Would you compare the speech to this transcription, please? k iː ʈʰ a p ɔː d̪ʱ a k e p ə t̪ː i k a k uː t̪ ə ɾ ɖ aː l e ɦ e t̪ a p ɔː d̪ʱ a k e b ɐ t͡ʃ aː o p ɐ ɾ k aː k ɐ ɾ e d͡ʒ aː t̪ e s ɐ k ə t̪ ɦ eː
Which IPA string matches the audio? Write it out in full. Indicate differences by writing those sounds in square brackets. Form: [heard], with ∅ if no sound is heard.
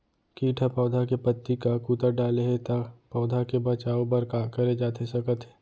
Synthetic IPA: k iː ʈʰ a p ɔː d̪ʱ a k e p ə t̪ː i k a k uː t̪ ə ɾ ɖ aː l e ɦ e t̪ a p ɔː d̪ʱ a k e b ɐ t͡ʃ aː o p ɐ ɾ k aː k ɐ ɾ e d͡ʒ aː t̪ e s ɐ k ə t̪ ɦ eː

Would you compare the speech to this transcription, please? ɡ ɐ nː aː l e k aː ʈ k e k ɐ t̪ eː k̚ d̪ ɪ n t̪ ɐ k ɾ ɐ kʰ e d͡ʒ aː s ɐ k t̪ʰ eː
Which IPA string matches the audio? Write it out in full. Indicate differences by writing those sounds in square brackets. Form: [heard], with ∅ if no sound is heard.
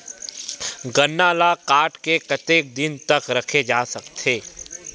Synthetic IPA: ɡ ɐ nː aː l [a] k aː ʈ k e k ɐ t̪ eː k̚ d̪ ɪ n t̪ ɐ k ɾ ɐ kʰ e d͡ʒ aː s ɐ k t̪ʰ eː

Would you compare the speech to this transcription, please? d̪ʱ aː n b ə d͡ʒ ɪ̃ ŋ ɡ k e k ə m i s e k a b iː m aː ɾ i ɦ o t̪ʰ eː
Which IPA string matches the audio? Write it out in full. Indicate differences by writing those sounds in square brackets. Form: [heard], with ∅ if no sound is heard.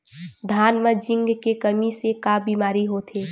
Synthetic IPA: d̪ʱ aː n [m] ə d͡ʒ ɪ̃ ŋ ɡ k e k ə m i s e k a b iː m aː ɾ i ɦ o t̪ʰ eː

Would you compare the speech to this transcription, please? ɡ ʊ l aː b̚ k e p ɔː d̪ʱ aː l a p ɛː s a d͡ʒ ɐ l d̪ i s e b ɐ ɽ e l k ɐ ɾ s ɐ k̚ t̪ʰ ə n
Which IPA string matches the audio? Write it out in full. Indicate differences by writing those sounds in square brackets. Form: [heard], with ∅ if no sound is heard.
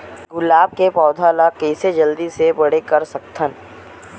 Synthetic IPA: ɡ ʊ l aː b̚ k e p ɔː d̪ʱ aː l a [k] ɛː s [e] d͡ʒ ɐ l d̪ i s e b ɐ ɽ e [∅] k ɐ ɾ s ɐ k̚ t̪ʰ ə n

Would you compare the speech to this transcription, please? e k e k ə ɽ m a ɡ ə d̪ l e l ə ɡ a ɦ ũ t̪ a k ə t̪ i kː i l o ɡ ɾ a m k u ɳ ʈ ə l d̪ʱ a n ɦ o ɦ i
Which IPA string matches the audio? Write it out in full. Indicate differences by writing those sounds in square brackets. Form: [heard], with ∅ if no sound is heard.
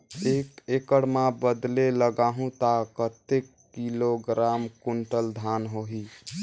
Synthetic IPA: e k e k ə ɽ m a [b] ə d̪ l e l ə ɡ a ɦ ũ t̪ a k ə t̪ [e] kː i l o ɡ ɾ a m k u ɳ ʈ ə l d̪ʱ a n ɦ o ɦ i

